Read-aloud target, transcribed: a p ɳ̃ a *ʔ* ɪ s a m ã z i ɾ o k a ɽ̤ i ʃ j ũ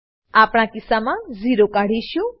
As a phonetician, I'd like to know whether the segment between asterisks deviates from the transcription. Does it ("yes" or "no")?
yes